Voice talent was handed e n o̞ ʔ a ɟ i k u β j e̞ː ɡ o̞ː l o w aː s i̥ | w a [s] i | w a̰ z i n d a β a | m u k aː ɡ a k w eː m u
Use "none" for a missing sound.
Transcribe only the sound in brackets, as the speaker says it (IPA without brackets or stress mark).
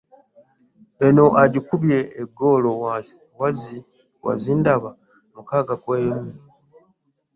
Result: z